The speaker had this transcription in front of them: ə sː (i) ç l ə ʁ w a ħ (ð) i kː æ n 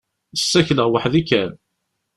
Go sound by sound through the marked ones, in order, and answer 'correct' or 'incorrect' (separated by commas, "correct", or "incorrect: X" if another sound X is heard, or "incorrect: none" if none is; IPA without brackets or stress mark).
incorrect: æ, correct